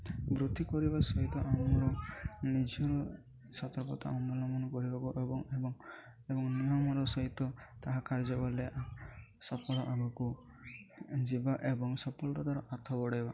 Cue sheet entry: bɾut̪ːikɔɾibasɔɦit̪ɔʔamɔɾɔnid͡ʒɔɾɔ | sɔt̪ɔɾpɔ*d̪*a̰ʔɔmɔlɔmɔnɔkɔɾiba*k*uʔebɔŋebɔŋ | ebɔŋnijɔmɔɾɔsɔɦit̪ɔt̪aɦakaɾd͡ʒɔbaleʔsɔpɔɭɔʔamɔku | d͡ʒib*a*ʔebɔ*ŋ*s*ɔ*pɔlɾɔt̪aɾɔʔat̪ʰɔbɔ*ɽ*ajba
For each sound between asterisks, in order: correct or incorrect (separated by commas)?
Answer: incorrect, correct, correct, correct, correct, correct